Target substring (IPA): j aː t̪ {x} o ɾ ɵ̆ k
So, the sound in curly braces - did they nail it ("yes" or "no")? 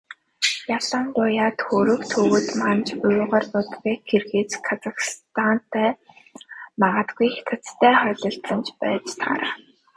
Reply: yes